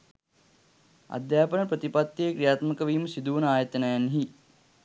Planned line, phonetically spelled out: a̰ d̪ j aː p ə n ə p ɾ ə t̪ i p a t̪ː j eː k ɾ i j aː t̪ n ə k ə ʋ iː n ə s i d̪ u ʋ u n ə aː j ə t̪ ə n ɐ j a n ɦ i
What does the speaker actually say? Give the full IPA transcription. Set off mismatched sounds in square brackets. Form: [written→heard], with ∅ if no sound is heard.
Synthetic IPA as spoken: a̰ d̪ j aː p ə n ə p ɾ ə t̪ i p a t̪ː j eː k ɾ i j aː t̪ [n→m] ə k ə ʋ iː [n→m] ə s i d̪ u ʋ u n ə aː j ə t̪ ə n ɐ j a n ɦ i